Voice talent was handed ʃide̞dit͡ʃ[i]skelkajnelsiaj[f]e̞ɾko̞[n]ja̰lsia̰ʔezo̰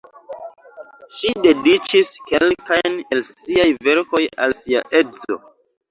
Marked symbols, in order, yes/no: yes, no, no

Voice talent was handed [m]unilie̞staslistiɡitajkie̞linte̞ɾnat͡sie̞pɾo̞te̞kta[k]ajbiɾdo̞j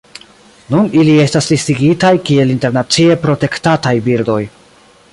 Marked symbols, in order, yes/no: no, no

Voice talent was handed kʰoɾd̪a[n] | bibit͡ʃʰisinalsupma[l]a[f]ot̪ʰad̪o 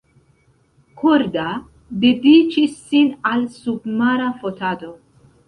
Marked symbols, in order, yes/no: no, no, yes

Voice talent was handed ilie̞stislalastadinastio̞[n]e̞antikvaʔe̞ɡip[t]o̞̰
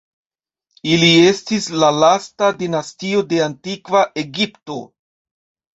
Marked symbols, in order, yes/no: no, yes

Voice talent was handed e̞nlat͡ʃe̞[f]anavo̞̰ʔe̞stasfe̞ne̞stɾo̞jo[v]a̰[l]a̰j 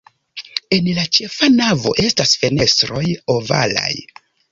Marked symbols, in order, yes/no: yes, yes, yes

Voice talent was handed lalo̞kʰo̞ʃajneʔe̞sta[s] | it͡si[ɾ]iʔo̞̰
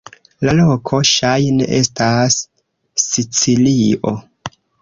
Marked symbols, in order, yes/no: no, no

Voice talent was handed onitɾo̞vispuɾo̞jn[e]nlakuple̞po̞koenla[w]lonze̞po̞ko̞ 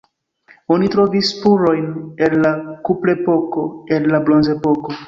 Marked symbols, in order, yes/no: yes, no

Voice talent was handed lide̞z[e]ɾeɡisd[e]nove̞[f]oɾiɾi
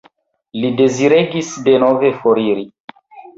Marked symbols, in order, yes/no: no, yes, yes

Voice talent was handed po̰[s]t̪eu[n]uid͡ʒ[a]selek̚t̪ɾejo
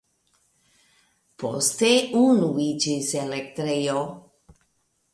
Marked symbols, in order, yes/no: yes, yes, no

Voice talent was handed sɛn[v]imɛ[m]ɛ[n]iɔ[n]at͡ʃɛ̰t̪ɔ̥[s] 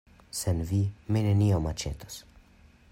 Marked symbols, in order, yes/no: yes, no, yes, no, yes

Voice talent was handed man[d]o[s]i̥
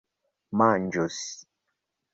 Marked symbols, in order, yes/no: no, yes

